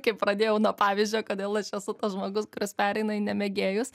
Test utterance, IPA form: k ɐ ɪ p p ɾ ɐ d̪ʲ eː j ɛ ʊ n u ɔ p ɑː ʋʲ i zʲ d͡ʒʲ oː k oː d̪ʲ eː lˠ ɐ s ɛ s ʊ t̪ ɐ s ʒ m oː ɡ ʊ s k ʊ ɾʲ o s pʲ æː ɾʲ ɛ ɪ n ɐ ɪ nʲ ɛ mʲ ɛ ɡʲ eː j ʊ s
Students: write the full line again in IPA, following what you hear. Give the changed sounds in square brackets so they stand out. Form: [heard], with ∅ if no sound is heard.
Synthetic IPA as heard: k ɐ ɪ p p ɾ ɐ d̪ʲ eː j ɛ ʊ n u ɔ p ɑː ʋʲ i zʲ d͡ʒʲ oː k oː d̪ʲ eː lˠ ɐ [ʃ] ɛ s ʊ t̪ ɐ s ʒ m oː ɡ ʊ s k ʊ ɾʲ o s pʲ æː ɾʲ ɛ ɪ n ɐ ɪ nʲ ɛ mʲ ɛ ɡʲ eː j ʊ s

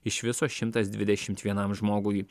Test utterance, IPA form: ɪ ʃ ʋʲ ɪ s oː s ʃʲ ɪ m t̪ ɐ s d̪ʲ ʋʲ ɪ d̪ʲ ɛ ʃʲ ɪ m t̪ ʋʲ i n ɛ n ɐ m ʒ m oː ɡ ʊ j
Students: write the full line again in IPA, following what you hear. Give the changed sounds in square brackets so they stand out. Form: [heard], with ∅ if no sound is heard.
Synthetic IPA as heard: ɪ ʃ ʋʲ ɪ s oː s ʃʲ ɪ m t̪ ɐ s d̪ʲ ʋʲ ɪ d̪ʲ ɛ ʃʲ ɪ m t̪ ʋʲ i [∅] ɛ n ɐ m ʒ m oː ɡ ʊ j

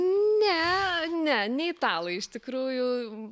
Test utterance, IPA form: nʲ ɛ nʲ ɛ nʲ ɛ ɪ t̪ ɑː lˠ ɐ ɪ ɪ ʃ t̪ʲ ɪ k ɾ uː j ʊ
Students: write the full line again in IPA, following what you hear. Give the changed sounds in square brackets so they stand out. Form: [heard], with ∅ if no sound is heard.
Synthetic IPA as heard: nʲ ɛ nʲ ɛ nʲ ɛ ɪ t̪ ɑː lˠ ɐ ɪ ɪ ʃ t̪ʲ ɪ k ɾ uː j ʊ

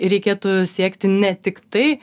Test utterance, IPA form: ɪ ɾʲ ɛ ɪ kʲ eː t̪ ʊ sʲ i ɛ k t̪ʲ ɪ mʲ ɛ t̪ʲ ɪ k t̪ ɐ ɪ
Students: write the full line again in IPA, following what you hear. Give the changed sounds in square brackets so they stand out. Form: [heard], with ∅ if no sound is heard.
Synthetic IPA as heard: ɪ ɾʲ ɛ ɪ kʲ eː t̪ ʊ sʲ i ɛ k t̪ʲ ɪ [nʲ] ɛ t̪ʲ ɪ k t̪ ɐ ɪ

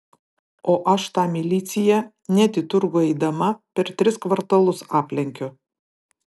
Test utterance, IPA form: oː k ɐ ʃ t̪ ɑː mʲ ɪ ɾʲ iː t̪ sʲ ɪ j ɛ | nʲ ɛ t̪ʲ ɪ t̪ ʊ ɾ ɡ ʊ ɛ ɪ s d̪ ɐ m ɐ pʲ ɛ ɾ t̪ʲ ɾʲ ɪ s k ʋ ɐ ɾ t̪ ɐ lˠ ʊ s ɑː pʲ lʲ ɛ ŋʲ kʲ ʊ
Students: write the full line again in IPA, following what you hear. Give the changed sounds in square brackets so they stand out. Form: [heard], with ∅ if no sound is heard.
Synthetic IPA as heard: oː [ʔ] ɐ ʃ t̪ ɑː mʲ ɪ [lʲ] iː t̪ sʲ ɪ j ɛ | nʲ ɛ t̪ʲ ɪ t̪ ʊ ɾ ɡ ʊ ɛ ɪ [∅] d̪ ɐ m ɐ pʲ ɛ ɾ t̪ʲ ɾʲ ɪ s k ʋ ɐ ɾ t̪ ɐ lˠ ʊ s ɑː pʲ lʲ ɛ ŋʲ kʲ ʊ

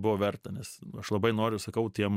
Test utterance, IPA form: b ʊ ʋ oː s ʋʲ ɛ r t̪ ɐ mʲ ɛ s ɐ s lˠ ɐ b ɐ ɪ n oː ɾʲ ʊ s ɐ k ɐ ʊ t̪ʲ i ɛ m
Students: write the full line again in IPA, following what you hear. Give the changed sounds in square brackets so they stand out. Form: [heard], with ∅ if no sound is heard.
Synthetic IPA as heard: b ʊ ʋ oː [∅] ʋʲ ɛ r t̪ ɐ [nʲ] ɛ s ɐ [ʃ] lˠ ɐ b ɐ ɪ n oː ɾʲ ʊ s ɐ k ɐ ʊ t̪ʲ i ɛ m

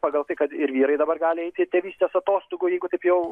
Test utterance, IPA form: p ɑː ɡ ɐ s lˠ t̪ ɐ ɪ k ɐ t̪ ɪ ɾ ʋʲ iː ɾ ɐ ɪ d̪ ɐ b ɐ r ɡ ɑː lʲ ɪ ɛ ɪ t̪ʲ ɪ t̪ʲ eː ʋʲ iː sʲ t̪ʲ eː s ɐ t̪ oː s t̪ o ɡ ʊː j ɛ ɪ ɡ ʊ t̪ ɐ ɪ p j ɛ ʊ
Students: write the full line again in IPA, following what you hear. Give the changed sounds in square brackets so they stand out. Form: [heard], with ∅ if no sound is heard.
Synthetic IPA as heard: p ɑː ɡ ɐ [∅] lˠ t̪ ɐ ɪ k ɐ t̪ ɪ ɾ ʋʲ iː ɾ ɐ ɪ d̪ ɐ b ɐ r ɡ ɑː lʲ ɪ ɛ ɪ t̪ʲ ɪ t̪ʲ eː ʋʲ iː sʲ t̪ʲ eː s ɐ t̪ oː s t̪ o ɡ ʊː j ɛ ɪ ɡ ʊ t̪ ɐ ɪ p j ɛ ʊ

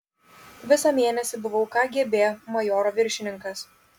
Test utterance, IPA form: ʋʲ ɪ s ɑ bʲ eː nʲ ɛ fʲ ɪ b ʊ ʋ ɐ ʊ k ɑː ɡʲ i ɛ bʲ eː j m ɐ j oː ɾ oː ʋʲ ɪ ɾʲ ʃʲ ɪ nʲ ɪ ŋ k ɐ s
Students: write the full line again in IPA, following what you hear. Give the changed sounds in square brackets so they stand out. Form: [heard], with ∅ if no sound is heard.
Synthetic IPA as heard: ʋʲ ɪ s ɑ [mʲ] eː nʲ ɛ [sʲ] ɪ b ʊ ʋ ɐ ʊ k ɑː ɡʲ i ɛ bʲ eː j m ɐ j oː ɾ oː ʋʲ ɪ ɾʲ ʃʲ ɪ nʲ ɪ ŋ k ɐ s

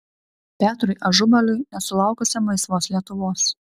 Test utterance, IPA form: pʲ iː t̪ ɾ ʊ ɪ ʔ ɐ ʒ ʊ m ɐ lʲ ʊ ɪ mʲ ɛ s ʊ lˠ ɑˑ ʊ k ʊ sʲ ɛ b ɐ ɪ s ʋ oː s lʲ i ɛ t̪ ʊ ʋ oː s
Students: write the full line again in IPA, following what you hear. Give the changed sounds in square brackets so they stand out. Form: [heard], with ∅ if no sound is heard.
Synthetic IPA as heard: pʲ [æː] t̪ ɾ ʊ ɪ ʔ ɐ ʒ ʊ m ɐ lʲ ʊ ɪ [nʲ] ɛ s ʊ lˠ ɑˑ ʊ k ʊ sʲ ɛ [m] ɐ ɪ s ʋ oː s lʲ i ɛ t̪ ʊ ʋ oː s

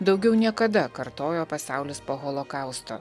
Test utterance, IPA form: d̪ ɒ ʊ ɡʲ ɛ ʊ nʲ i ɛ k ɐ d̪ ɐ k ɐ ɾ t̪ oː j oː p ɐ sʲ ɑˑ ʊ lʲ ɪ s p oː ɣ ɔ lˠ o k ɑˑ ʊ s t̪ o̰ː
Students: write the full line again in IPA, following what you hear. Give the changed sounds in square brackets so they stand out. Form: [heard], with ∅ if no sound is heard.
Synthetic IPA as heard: d̪ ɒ ʊ ɡʲ ɛ ʊ nʲ i ɛ k ɐ d̪ ɐ k ɐ ɾ t̪ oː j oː p ɐ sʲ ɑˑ ʊ lʲ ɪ s p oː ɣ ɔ lˠ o k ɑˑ ʊ s t̪ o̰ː

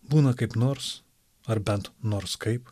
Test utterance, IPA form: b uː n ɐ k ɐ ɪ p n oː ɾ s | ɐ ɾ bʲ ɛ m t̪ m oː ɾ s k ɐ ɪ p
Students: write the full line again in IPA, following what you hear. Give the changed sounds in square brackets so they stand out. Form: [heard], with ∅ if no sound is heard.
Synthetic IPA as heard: b uː n ɐ k ɐ ɪ p n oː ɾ s | ɐ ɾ bʲ ɛ [n] t̪ [n] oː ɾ s k ɐ ɪ p

